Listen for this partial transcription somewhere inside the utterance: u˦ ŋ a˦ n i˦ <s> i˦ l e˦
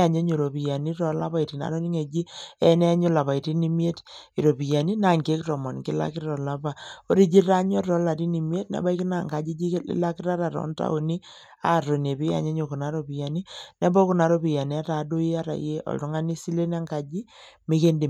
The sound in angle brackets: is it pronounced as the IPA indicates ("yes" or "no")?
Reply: yes